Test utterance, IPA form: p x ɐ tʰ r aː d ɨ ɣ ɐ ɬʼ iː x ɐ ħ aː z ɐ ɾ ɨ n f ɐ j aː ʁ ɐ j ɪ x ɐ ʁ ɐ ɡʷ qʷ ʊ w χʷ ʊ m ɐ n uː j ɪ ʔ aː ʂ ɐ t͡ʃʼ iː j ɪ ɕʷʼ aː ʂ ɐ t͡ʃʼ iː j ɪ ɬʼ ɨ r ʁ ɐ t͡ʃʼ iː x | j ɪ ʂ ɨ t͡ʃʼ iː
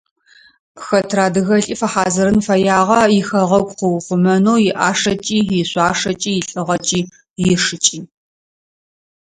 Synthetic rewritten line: p x ɐ tʰ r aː d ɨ ɣ ɐ ɬʼ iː f ɐ ħ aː z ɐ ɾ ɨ n f ɐ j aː ʁ ɐ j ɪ x ɐ ʁ ɐ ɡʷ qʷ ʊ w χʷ ʊ m ɐ n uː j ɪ ʔ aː ʂ ɐ t͡ʃʼ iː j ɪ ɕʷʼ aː ʂ ɐ t͡ʃʼ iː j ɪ ɬʼ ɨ ʁ ɐ t͡ʃʼ iː | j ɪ ʂ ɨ t͡ʃʼ iː